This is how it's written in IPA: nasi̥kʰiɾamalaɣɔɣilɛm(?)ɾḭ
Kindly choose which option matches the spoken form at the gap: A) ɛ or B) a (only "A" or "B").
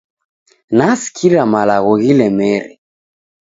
A